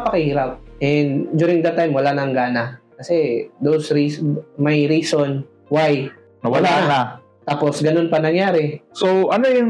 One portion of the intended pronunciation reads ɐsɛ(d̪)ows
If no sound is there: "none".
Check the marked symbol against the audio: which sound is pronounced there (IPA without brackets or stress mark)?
d̪